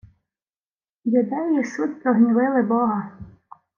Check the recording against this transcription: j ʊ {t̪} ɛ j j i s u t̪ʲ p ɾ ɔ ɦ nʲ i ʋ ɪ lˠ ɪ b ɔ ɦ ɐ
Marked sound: incorrect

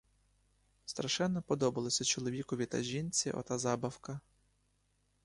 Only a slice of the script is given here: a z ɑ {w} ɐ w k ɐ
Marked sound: incorrect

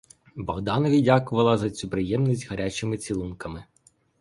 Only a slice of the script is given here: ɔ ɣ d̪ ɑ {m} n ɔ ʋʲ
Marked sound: incorrect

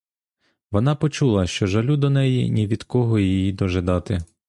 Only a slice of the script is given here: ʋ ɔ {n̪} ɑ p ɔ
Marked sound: correct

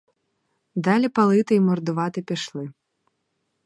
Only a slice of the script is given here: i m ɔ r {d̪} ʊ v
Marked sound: correct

